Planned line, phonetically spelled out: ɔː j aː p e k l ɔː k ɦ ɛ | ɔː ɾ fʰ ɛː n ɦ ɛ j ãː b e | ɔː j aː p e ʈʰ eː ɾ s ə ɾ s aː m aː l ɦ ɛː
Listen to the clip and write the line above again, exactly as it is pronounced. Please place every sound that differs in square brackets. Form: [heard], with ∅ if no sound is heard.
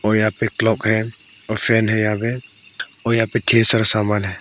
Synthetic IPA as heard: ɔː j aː p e k l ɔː k ɦ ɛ | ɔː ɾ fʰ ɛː n ɦ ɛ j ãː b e | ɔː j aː p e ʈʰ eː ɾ s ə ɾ s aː m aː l ɦ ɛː